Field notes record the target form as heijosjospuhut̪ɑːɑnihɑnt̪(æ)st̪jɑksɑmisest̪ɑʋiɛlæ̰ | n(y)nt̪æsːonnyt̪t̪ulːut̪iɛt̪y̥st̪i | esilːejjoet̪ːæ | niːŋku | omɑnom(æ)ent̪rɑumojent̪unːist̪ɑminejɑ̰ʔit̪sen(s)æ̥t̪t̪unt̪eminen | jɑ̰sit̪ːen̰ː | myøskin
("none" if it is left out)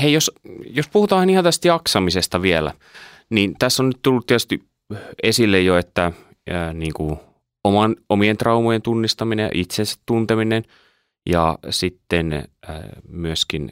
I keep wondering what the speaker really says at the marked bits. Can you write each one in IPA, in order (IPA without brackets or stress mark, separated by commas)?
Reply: æ, i, i, s